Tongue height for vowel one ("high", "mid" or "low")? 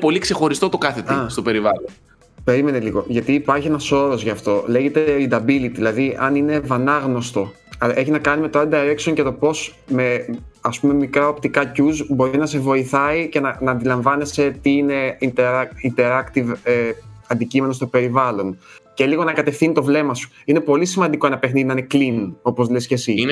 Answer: mid